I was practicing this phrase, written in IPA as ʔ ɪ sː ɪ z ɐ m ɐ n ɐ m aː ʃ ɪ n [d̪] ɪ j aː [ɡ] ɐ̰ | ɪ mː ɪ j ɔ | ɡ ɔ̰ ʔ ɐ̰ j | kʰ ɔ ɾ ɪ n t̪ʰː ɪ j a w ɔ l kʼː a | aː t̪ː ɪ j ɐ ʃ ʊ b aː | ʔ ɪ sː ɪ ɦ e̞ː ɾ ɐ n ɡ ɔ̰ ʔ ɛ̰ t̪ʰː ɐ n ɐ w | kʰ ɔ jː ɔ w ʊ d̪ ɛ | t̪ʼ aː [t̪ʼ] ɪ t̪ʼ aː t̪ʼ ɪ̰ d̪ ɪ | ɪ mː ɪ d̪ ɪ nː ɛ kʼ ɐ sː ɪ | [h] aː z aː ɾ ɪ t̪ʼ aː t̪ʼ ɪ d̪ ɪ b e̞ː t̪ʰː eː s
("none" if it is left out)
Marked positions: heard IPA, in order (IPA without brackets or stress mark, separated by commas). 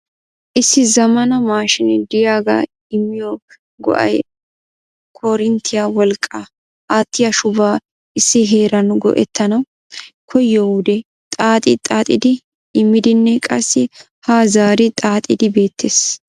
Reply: d̪, ɡ, t̪ʼ, h